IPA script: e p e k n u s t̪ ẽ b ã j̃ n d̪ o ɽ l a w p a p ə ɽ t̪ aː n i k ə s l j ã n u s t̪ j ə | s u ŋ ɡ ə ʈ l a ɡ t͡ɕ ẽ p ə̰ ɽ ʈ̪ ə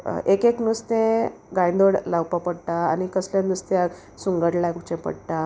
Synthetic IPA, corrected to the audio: e k e k n u s t̪ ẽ ɡ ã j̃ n d̪ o ɽ l a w p a p ə ɽ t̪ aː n i k ə s l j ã n u s t̪ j a | s u ŋ ɡ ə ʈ l a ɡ t͡ɕ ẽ p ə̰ ɽ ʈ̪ a